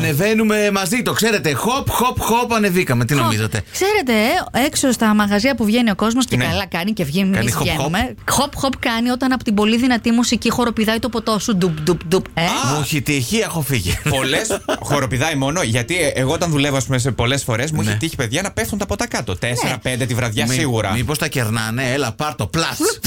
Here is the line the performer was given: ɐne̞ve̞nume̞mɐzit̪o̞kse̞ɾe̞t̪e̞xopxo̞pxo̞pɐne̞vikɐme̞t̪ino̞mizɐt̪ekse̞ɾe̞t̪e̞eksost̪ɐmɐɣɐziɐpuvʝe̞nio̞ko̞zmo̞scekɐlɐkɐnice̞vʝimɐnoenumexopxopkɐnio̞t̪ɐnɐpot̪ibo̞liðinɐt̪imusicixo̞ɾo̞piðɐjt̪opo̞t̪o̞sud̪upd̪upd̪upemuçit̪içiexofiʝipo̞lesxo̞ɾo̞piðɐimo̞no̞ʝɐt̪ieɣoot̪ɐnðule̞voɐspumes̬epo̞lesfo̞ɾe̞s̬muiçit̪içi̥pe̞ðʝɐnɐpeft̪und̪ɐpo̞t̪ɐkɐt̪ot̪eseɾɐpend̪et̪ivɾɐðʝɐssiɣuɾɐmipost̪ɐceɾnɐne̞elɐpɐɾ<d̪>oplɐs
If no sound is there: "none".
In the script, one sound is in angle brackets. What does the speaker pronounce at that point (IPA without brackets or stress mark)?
t̪